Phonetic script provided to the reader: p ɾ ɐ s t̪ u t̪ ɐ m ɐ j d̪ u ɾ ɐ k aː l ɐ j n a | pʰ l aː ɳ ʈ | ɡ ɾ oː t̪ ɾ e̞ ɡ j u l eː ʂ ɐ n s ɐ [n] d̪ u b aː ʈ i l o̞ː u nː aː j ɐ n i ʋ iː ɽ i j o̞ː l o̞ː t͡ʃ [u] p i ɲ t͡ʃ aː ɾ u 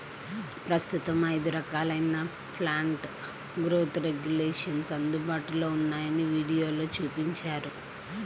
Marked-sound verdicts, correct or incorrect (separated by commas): correct, incorrect